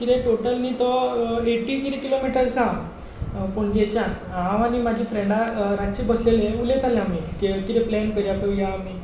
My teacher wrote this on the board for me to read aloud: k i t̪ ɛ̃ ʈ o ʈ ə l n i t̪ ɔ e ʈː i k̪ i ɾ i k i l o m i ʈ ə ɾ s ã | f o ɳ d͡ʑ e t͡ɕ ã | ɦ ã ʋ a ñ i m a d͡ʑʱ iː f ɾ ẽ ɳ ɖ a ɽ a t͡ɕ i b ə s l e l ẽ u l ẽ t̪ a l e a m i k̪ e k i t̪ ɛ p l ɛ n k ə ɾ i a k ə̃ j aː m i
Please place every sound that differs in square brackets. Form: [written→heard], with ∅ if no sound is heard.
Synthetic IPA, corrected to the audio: k i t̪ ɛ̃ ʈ o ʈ ə l n i t̪ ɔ e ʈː i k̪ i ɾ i k i l o m i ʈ ə ɾ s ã | f o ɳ d͡ʑ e t͡ɕ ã | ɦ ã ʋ a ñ i m a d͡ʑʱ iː f ɾ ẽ ɳ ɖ a [ɽ→ɾ] a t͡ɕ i b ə s l e l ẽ u l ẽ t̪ a l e a m i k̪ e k i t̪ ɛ p l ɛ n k ə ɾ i a [k→p] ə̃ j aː m i

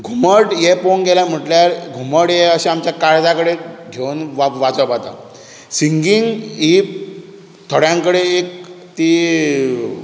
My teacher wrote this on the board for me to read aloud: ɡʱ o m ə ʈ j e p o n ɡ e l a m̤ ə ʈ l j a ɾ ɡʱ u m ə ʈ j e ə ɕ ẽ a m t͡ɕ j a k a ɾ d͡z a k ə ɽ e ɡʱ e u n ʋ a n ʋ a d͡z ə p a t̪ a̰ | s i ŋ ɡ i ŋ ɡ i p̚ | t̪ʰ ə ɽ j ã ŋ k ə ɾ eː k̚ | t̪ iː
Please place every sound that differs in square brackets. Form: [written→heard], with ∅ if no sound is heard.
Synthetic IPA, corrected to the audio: ɡʱ [o→u] m ə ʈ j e p o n ɡ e l a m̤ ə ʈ l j a ɾ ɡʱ u m ə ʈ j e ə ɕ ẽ a m t͡ɕ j a k a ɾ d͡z a k ə ɽ e ɡʱ e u n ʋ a [n→∅] ʋ a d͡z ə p a t̪ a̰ | s i ŋ ɡ i ŋ ɡ i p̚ | t̪ʰ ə ɽ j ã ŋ k ə [ɾ→ɽ] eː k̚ | t̪ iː

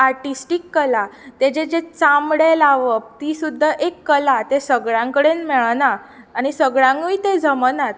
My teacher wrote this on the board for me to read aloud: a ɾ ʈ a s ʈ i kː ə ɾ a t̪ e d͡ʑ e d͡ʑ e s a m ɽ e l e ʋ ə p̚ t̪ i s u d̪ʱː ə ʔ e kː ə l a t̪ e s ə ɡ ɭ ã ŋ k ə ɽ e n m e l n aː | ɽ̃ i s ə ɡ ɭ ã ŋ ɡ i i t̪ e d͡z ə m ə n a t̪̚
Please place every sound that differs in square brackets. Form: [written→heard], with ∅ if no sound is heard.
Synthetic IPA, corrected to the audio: a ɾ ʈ [a→i] s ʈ i kː ə [ɾ→l] a t̪ e d͡ʑ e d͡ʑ e [s→t͡s] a m ɽ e l [e→a] ʋ ə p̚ t̪ i s u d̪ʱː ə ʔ e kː ə l a t̪ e s ə ɡ ɭ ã ŋ k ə ɽ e n m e [l→ɭ] n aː | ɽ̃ i s ə ɡ ɭ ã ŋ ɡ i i t̪ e d͡z ə m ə n a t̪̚

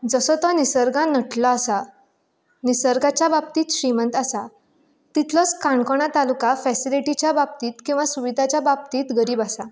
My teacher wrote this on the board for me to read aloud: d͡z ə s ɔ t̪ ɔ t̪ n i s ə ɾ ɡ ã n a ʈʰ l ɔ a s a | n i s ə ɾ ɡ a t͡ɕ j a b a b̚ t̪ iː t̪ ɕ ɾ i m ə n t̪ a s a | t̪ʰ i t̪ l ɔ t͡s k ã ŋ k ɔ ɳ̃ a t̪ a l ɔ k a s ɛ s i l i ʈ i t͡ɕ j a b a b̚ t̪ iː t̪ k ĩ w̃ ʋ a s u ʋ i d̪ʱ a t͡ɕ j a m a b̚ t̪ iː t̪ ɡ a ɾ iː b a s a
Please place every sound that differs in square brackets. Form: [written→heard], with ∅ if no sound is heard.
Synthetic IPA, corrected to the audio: d͡z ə s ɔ t̪ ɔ [t̪→∅] n i s ə ɾ ɡ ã n [a→ə] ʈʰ l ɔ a s a | n i s ə ɾ ɡ a t͡ɕ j a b a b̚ t̪ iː t̪ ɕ ɾ i m ə n t̪ a s a | [t̪ʰ→t̪] i t̪ l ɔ t͡s k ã [ŋ→ɳ] k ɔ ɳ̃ a t̪ a l [ɔ→u] k a [s→f] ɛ s i l i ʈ i t͡ɕ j a b a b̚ t̪ iː t̪ k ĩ w̃ ʋ a s u ʋ i d̪ʱ a t͡ɕ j a [m→b] a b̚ t̪ iː t̪ ɡ [a→ə] ɾ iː b a s a

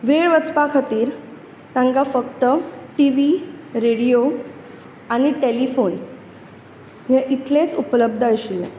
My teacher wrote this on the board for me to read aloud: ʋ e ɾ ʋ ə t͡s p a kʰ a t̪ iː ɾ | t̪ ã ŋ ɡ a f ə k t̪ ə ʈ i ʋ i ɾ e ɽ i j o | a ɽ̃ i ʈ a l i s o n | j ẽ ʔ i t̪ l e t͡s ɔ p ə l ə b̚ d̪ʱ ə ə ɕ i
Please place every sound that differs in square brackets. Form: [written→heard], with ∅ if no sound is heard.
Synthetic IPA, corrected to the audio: ʋ e [ɾ→ɭ] ʋ ə t͡s p a kʰ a t̪ iː ɾ | t̪ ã ŋ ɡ a f ə k t̪ ə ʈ i ʋ i ɾ e ɽ i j o | a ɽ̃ i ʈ [a→e] l i [s→f] o n | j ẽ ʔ i t̪ l e t͡s [ɔ→u] p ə l ə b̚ d̪ʱ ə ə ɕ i

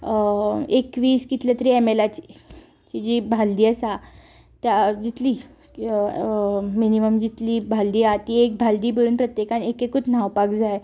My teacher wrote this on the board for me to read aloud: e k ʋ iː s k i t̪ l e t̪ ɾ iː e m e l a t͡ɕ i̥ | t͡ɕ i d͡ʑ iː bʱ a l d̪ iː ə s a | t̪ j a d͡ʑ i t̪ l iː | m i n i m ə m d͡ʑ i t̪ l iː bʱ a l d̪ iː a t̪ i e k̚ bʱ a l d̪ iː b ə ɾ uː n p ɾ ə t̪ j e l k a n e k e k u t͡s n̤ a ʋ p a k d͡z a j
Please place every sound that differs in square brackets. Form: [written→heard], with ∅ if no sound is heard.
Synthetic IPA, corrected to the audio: e k ʋ iː s k i t̪ l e t̪ ɾ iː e m e l a t͡ɕ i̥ | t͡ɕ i d͡ʑ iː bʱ a l d̪ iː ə s a | t̪ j a d͡ʑ i t̪ l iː | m i n i m ə m d͡ʑ i t̪ l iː bʱ a l d̪ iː a t̪ i e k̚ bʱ a l d̪ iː b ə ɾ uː n p ɾ ə t̪ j e [l→∅] k a n e k e k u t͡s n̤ a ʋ p a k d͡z a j

